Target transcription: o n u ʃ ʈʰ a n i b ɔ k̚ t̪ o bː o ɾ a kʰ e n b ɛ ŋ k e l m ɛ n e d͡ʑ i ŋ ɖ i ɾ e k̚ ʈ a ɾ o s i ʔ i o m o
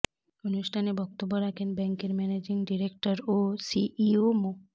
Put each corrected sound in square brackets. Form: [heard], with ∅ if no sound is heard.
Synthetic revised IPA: o n u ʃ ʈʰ a n [e] b ɔ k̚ t̪ o bː o ɾ a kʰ e n b ɛ ŋ k e [ɾ] m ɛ n e d͡ʑ i ŋ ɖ i ɾ e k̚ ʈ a ɾ o s i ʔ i o m o